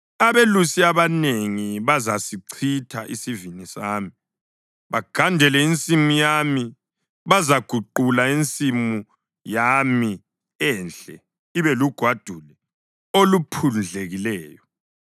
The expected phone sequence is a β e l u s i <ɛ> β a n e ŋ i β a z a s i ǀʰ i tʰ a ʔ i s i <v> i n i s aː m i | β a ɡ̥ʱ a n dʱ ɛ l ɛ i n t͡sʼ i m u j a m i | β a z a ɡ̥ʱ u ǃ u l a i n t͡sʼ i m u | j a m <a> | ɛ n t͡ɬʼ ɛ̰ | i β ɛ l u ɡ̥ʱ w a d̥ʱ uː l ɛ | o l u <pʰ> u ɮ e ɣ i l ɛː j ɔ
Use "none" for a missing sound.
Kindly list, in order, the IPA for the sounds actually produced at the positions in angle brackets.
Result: a, v, i, pʰ

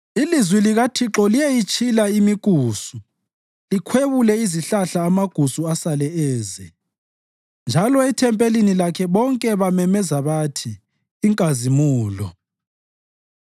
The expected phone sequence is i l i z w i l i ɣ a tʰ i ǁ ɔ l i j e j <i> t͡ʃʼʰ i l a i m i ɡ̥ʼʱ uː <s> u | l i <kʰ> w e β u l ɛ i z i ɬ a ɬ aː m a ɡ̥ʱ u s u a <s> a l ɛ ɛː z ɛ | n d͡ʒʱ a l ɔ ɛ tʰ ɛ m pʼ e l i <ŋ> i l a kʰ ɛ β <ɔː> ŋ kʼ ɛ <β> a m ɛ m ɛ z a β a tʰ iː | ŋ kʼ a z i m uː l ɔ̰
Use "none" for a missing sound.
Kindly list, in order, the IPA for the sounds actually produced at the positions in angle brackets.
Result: i, s, kʰ, s, n, ɔ, β

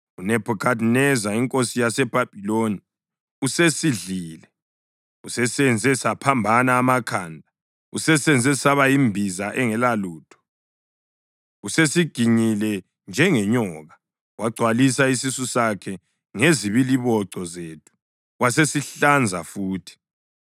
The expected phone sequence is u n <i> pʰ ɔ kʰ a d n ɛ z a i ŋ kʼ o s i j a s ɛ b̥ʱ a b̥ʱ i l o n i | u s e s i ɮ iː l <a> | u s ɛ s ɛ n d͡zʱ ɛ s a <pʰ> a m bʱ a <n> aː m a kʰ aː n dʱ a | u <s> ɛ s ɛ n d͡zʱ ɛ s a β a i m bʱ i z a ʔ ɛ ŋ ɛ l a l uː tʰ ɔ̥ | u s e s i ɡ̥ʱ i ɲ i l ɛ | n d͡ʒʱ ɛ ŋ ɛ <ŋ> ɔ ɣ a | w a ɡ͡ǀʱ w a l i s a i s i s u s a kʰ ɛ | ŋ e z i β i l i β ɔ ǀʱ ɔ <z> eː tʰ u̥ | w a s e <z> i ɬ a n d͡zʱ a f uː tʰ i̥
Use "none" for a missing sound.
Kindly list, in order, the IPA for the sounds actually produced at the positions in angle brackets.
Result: ɛ, ɛ, pʰ, n, s, ɲ, z, s

